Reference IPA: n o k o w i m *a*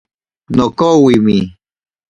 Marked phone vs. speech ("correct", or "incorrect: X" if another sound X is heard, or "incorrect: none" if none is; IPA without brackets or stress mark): incorrect: i